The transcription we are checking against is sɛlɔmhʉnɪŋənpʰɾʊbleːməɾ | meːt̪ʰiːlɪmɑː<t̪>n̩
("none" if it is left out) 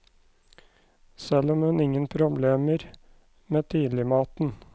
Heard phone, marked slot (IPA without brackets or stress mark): t̪